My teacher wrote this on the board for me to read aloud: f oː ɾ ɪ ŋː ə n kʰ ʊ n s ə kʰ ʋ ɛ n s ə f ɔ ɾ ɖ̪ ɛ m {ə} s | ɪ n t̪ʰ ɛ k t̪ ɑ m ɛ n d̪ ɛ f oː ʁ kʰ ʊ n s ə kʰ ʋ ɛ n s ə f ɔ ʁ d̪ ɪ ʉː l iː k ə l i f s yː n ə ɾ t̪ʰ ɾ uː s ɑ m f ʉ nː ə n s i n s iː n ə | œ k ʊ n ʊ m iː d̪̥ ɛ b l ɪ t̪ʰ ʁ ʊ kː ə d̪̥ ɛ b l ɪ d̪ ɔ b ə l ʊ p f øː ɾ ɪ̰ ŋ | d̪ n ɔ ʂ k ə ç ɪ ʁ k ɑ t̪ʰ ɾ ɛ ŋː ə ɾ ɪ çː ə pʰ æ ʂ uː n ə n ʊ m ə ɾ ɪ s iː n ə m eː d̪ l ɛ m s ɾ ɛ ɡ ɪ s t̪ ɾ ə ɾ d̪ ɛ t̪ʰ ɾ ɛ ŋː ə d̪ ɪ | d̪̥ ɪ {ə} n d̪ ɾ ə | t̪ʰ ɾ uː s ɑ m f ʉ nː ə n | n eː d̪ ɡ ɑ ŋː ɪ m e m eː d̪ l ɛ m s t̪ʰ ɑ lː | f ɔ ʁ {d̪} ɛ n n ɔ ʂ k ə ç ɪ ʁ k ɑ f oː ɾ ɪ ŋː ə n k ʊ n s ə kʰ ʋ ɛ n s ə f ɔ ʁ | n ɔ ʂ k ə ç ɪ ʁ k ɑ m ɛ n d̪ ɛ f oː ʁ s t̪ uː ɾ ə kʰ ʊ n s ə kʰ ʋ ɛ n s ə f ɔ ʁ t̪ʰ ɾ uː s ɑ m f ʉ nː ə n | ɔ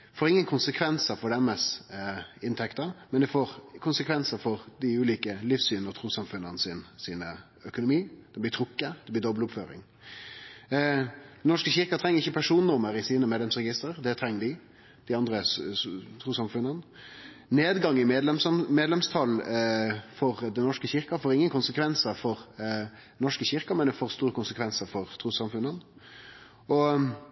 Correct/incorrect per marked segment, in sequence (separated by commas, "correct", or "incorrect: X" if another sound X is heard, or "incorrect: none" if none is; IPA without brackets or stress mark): correct, incorrect: ɑ, correct